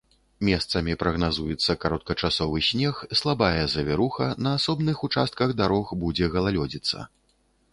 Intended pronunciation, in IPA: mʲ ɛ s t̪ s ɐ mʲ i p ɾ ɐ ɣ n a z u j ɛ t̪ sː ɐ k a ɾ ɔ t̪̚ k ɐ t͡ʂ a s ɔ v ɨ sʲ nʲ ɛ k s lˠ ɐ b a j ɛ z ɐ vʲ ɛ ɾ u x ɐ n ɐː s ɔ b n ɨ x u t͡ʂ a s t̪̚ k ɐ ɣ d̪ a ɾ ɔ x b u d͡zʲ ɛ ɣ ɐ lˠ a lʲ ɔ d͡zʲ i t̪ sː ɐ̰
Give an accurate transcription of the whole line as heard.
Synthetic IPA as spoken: mʲ ɛ s t̪ s ɐ mʲ i p ɾ ɐ ɣ n a z u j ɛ t̪ sː ɐ k a ɾ ɔ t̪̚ k ɐ t͡ʂ a s ɔ v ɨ sʲ nʲ ɛ x s lˠ a b a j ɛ z ɐ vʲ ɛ ɾ u x ɐ n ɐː s ɔ b n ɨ x u t͡ʂ a s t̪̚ k ɐ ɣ d̪ a ɾ ɔ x b u d͡zʲ ɛ ɣ ɐ lˠ a lʲ ɔ d͡zʲ i t̪ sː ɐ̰